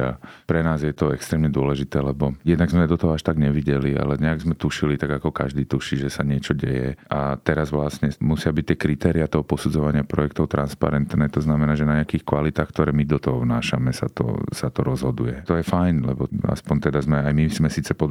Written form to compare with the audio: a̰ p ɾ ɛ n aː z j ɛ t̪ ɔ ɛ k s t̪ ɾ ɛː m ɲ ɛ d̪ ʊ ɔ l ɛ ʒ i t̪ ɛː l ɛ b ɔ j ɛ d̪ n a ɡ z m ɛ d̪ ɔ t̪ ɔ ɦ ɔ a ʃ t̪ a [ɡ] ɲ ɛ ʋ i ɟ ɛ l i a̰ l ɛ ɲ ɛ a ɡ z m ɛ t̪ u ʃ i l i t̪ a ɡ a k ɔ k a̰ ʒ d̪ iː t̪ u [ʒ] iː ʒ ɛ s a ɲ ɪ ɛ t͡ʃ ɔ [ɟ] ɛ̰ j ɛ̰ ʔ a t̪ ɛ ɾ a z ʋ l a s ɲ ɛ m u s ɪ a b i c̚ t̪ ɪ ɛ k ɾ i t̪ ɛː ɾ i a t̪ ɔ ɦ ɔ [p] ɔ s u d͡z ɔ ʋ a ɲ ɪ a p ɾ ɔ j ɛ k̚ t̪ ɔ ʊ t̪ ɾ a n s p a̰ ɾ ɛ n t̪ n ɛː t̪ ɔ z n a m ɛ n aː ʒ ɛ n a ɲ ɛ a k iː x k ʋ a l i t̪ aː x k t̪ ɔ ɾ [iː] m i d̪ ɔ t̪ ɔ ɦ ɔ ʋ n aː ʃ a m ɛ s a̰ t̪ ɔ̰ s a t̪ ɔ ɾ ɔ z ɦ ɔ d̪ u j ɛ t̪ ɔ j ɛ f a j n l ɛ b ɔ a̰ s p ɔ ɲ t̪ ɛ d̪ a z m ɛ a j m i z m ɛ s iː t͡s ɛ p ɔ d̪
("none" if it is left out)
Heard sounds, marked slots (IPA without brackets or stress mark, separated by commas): ɡ, ʃ, ɟ, p, ɛː